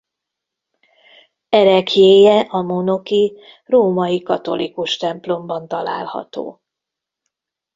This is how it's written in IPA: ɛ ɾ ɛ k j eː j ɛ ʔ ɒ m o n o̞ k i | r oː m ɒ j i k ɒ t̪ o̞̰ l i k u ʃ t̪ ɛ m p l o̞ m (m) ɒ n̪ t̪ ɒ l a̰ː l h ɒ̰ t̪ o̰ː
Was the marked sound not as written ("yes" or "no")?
yes